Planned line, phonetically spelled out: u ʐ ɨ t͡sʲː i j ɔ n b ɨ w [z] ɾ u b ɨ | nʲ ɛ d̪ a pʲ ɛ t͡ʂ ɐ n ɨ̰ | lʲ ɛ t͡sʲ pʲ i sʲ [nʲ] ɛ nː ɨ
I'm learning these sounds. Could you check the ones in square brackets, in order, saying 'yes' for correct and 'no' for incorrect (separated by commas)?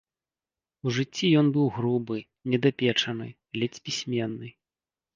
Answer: no, no